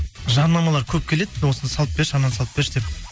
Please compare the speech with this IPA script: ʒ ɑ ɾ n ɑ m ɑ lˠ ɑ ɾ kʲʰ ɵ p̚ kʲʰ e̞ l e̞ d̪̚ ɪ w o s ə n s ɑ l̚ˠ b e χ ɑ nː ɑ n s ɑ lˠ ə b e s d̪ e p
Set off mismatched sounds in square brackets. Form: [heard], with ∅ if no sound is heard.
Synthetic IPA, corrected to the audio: ʒ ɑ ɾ n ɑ m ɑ lˠ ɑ ɾ kʲʰ ɵ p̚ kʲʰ e̞ l e̞ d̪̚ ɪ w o s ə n s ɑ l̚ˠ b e [ʃ] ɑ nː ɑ n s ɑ lˠ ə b e [ʃ] d̪ e p